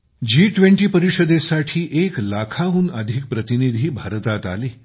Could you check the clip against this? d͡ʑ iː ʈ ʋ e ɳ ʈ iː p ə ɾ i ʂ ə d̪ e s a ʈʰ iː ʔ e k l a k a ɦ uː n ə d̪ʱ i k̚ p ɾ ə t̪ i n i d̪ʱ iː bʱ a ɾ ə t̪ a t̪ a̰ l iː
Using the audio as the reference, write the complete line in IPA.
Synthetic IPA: d͡ʑ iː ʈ ʋ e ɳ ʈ iː p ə ɾ i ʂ ə d̪ e s a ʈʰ iː ʔ e k l a kʰ a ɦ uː n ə d̪ʱ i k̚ p ɾ ə t̪ i n i d̪ʱ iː bʱ a ɾ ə t̪ a t̪ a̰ l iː